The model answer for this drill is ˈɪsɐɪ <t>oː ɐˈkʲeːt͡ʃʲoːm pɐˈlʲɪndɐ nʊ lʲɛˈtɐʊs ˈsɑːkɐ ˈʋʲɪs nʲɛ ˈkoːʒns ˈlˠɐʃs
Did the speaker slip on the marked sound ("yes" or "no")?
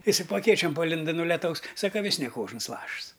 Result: yes